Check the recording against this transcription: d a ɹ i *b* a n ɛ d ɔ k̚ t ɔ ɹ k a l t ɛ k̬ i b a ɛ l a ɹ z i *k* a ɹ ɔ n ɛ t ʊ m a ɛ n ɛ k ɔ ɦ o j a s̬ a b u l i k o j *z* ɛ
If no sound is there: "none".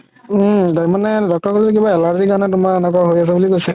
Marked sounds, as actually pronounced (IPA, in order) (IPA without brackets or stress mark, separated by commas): m, k, s